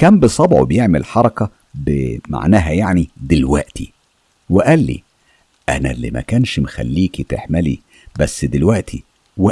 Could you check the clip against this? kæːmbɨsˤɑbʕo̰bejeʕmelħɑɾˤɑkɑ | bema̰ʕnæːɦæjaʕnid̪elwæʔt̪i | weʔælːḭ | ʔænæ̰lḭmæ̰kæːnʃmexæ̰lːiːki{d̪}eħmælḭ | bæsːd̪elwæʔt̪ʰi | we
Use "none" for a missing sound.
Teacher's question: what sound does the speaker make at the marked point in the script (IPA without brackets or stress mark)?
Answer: t̪